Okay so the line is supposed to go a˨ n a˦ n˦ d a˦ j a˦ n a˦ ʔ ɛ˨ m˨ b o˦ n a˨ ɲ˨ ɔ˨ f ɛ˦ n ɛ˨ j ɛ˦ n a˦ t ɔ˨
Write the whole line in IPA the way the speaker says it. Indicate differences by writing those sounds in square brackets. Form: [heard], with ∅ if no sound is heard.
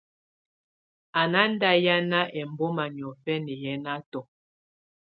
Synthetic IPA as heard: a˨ n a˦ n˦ d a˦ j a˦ n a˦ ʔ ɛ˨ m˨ b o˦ [m] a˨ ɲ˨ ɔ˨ f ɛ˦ n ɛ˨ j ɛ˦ n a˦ t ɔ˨